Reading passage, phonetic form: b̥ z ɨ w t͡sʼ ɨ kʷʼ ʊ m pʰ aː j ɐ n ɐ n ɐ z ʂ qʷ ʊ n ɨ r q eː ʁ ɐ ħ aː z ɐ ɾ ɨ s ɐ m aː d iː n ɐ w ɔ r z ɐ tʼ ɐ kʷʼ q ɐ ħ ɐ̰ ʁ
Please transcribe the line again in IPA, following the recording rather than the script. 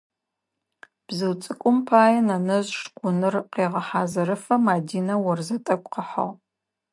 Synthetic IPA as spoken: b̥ z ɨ w t͡sʼ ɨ kʷʼ ʊ m pʰ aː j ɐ n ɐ n ɐ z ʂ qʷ ʊ n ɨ r q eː ʁ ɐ ħ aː z ɐ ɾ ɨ f ɐ m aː d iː n ɐ w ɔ r z ɐ tʼ ɐ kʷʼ q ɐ ħ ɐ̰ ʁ

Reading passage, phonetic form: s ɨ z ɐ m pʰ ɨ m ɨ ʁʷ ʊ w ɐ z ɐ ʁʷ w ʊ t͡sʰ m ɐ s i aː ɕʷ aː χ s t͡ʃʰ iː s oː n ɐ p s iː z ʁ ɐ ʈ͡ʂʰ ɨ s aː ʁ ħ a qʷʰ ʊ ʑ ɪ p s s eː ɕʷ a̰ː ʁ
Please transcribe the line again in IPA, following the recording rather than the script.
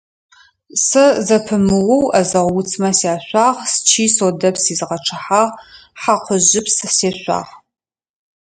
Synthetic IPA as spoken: s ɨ z ɐ pʰ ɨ m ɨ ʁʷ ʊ w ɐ z ɐ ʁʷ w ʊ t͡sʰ m ɐ s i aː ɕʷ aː ʁ s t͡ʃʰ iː s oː d ɐ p s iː z ʁ ɐ ʈ͡ʂʰ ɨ ħ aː ʁ ħ a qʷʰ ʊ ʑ ɪ p s s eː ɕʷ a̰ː ʁ

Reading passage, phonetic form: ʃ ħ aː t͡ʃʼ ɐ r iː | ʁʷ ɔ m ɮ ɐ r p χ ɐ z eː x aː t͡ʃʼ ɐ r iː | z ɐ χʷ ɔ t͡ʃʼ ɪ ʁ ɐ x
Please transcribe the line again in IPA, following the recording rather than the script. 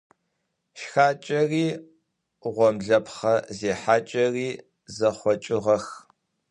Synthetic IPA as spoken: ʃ x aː t͡ʃʼ ɐ r iː | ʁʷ ɔ m ɮ ɐ p χ ɐ z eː ħ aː t͡ʃʼ ɐ r iː | z ɐ χʷ ɔ t͡ʃʼ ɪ ʁ ɐ x

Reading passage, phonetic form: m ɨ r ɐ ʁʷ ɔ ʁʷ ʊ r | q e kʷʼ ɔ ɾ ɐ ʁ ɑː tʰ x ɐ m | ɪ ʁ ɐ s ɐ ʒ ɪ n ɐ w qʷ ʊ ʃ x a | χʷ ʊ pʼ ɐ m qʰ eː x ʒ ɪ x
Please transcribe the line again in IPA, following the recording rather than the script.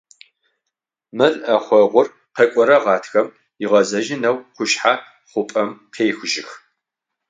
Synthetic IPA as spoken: m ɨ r ɐ χʷ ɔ ʁʷ ʊ r | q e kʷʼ ɔ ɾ ɐ ʁ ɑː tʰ x ɐ m | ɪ ʁ ɐ z ɐ ʒ ɪ n ɐ w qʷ ʊ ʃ ħ a | χʷ ʊ pʼ ɐ m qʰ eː x ʒ ɪ x

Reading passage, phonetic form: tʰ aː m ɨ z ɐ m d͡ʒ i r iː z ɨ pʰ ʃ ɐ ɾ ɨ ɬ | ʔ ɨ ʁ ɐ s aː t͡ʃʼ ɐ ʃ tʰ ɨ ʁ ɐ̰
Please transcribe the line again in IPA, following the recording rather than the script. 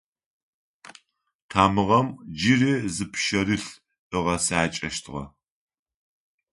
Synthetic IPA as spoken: tʰ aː m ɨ ʁ ɐ m d͡ʒ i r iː z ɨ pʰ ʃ ɐ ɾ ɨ ɬ | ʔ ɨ ʁ ɐ s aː t͡ʃʼ ɐ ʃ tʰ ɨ ʁ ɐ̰

